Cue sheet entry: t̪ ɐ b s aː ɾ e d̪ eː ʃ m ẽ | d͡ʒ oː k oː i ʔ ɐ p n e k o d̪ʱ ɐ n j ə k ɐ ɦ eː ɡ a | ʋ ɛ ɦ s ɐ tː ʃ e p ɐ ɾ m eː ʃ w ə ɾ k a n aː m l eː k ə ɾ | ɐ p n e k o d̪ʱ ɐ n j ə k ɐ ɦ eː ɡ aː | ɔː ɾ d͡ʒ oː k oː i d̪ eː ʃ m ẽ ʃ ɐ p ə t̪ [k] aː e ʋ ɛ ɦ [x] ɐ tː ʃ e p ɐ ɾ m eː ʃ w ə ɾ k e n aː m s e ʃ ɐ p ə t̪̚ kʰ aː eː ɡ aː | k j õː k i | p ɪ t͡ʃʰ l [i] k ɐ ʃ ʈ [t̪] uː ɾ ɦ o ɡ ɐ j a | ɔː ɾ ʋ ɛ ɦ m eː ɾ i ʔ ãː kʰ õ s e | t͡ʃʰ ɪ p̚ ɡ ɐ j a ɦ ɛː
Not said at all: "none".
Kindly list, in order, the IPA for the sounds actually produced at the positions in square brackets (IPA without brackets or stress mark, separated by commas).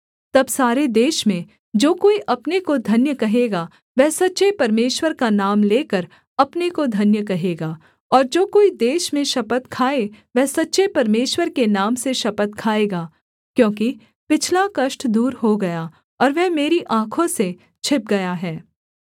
kʰ, s, a, d̪